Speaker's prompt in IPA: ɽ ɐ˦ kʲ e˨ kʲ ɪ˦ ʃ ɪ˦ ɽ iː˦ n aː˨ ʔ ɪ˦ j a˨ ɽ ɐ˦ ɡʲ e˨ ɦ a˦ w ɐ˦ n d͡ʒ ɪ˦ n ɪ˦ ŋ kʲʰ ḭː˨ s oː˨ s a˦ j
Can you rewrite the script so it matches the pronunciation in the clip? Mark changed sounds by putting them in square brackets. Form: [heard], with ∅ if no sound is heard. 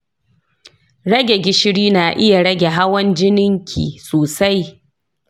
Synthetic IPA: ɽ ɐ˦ [ɡʲ] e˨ [ɡʲ] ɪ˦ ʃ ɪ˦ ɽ iː˦ n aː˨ ʔ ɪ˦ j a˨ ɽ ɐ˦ ɡʲ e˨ ɦ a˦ w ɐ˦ n d͡ʒ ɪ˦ n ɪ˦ ŋ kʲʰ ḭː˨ s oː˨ s a˦ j